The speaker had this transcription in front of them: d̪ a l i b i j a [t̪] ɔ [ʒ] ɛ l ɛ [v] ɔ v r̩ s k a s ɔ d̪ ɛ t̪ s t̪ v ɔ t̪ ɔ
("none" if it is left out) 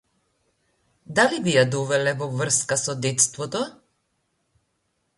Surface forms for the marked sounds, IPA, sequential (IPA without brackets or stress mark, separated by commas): d̪, v, v